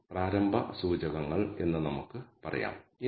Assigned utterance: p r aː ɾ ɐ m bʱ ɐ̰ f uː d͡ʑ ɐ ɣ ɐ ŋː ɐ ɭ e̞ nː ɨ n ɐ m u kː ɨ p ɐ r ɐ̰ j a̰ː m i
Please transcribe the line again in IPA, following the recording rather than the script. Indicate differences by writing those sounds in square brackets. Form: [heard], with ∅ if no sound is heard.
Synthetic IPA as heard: p r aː ɾ ɐ m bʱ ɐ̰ [s] uː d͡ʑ ɐ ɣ ɐ ŋː ɐ ɭ e̞ nː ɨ n ɐ m u kː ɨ p ɐ r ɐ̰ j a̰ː m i